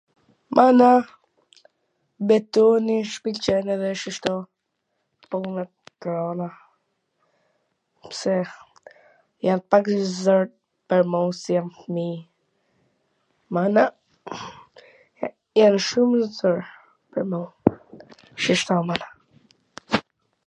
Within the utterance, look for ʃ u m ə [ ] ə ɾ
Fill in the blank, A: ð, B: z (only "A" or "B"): B